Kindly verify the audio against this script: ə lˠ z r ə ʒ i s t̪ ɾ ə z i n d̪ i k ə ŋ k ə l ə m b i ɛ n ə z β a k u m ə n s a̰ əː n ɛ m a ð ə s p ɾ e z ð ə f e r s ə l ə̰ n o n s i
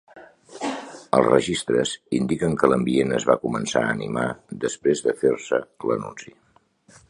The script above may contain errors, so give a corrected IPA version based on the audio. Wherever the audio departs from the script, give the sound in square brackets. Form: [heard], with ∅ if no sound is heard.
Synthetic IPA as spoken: ə lˠ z r ə ʒ i s t̪ ɾ ə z i n d̪ i k ə ŋ k ə l ə m b i [e] n ə z β a k u m ə n s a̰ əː n [i] m a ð ə s p ɾ e z ð ə f e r s ə l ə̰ n [u] n s i